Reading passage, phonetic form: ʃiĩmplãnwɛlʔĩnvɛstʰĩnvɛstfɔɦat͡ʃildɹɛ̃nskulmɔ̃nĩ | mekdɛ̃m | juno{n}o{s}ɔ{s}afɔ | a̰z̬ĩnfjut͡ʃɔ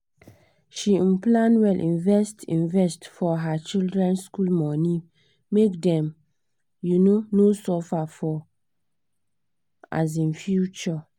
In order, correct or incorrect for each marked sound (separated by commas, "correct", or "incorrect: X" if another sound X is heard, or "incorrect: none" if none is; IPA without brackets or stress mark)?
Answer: correct, correct, incorrect: f